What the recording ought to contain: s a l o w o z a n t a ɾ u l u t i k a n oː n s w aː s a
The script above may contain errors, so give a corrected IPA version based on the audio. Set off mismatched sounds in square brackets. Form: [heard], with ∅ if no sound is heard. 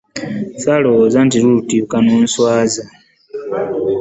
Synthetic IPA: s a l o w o z a n t [i] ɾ u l u t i k a n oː n s w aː [z] a